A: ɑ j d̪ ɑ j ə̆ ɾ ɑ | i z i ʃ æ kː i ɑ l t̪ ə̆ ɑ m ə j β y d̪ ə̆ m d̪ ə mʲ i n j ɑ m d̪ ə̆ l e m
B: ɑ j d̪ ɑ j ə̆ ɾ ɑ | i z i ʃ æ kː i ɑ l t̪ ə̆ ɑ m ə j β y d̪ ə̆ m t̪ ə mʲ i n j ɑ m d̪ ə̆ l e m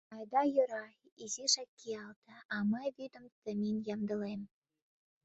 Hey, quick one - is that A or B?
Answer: B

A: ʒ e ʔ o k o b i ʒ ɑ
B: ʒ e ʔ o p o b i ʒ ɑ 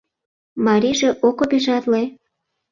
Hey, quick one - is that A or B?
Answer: A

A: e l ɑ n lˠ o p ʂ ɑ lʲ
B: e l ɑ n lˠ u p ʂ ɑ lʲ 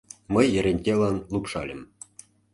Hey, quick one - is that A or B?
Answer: B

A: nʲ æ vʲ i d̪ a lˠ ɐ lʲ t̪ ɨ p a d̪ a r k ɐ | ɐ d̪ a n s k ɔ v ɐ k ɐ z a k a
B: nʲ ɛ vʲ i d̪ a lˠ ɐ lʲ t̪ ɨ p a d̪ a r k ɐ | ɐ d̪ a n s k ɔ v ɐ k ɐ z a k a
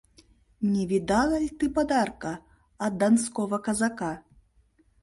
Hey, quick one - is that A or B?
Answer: B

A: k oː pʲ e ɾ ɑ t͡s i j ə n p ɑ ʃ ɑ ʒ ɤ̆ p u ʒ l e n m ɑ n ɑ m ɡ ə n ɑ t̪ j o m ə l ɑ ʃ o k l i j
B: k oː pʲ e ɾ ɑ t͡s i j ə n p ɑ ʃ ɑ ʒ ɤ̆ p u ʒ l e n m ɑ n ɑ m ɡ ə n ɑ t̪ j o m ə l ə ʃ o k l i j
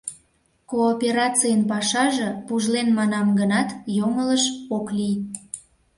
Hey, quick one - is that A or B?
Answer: B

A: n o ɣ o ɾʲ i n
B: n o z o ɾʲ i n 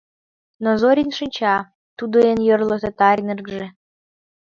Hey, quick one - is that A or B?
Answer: B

